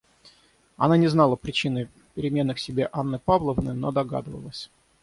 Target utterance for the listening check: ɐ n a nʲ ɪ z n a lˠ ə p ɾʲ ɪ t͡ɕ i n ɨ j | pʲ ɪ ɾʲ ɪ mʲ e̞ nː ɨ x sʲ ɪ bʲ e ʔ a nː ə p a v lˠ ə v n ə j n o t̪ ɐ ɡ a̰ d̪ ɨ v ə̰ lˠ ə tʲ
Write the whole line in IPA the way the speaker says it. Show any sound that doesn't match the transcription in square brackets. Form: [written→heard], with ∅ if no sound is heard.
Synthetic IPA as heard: ɐ n a nʲ ɪ z n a lˠ ə p ɾʲ ɪ t͡ɕ i n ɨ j | pʲ ɪ ɾʲ ɪ mʲ e̞ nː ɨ x sʲ ɪ bʲ e ʔ a nː ə p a v lˠ ə v n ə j n o [t̪→d̪] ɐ ɡ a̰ d̪ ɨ v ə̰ lˠ ə [tʲ→sʲ]